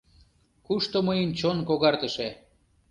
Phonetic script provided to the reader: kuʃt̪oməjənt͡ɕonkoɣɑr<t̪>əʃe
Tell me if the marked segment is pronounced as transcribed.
yes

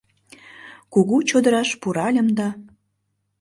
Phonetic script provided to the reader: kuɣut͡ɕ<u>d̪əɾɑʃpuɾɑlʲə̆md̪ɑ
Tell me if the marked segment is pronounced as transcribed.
no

